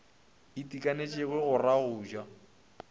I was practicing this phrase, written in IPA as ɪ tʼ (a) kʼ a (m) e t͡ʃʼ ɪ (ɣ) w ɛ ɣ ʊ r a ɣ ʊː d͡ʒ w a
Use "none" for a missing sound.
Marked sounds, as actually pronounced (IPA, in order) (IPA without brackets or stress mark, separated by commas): i, n, ɣ